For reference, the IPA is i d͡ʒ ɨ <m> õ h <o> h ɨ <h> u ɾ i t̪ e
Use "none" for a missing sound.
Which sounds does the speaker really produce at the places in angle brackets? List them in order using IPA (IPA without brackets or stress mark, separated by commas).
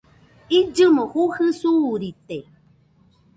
m, u, s